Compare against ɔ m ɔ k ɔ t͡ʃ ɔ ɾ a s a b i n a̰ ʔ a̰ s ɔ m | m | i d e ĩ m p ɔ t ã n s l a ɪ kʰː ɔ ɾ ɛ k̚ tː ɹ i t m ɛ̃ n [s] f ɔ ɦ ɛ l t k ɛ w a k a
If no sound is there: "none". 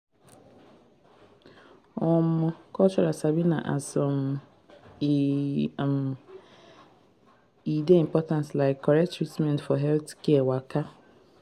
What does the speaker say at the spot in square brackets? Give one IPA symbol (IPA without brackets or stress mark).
t